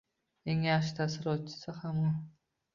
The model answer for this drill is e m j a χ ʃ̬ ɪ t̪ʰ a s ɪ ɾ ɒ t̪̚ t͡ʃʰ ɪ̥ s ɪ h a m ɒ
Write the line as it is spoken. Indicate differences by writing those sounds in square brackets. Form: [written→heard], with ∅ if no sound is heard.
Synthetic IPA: e [m→ŋ] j a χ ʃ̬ ɪ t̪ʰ a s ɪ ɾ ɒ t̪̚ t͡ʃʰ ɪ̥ s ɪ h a m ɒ